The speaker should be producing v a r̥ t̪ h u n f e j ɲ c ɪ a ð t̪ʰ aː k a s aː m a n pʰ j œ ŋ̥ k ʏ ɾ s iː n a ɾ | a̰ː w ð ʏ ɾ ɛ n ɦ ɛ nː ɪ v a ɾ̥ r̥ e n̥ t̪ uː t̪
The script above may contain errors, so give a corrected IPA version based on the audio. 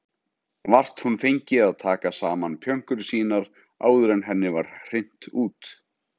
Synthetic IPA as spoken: v a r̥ t̪ h u n f e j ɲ c ɪ a ð t̪ʰ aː k a s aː m a n pʰ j œ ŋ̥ k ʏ ɾ s iː n a ɾ | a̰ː w ð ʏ ɾ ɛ n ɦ ɛ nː ɪ v a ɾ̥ r̥ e n̥ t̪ uː t̪